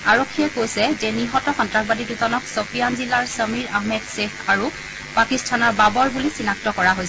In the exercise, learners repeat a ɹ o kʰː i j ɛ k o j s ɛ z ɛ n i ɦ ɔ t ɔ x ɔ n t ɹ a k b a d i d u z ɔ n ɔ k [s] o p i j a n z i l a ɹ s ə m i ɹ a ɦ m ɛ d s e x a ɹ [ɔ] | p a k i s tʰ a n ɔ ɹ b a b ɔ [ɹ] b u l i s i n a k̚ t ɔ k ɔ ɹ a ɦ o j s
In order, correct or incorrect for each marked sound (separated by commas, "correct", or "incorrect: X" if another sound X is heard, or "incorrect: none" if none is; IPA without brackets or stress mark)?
correct, incorrect: u, correct